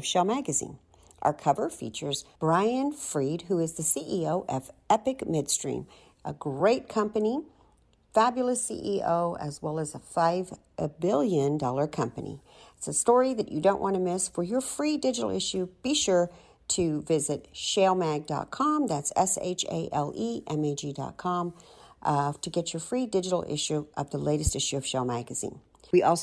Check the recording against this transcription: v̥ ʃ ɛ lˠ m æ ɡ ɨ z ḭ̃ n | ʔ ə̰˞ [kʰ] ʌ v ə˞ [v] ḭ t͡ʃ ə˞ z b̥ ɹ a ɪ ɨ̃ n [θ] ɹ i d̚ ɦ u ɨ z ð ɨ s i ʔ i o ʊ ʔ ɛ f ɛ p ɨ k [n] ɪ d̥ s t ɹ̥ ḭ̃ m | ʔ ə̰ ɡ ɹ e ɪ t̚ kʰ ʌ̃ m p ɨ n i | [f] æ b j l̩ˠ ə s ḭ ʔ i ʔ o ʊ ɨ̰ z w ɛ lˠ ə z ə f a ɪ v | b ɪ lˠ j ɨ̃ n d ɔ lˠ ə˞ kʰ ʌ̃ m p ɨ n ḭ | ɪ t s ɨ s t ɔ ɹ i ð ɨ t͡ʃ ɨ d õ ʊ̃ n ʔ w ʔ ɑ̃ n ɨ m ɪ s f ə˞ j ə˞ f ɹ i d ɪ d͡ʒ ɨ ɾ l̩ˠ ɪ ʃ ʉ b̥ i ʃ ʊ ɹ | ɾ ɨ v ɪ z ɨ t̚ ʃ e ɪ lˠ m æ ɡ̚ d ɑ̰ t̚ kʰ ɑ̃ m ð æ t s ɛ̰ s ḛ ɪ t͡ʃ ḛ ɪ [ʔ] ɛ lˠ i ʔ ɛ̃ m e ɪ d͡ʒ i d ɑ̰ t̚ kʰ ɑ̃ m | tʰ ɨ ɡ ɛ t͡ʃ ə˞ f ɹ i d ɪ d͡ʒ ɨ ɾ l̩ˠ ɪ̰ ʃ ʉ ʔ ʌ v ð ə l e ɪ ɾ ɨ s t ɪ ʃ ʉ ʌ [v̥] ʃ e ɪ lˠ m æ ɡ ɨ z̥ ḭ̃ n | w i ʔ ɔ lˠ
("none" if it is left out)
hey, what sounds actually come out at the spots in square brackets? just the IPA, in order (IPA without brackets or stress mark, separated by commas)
kʰ, f, f, m, f, ʔ, v̥